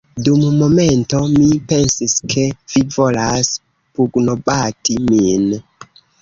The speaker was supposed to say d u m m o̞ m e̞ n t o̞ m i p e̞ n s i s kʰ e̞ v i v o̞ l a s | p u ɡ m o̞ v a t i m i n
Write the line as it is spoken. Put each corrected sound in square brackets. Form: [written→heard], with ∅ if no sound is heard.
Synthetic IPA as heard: d u m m o̞ m e̞ n t o̞ m i p e̞ n s i s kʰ e̞ v i v o̞ l a s | p u ɡ [m→n] o̞ [v→b] a t i m i n